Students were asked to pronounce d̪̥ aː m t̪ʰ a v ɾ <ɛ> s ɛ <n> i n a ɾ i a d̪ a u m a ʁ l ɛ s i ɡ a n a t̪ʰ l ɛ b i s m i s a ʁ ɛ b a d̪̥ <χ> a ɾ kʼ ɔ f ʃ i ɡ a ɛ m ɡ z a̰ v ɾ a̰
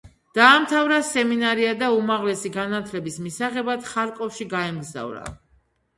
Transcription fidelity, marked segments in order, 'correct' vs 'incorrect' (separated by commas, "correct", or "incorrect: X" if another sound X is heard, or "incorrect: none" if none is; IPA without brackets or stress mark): incorrect: a, incorrect: m, correct